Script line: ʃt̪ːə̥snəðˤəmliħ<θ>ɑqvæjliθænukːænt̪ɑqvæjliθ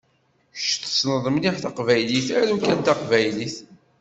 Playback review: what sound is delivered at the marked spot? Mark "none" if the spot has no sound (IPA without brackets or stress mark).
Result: θ